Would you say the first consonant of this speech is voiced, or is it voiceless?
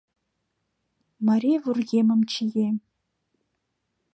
voiced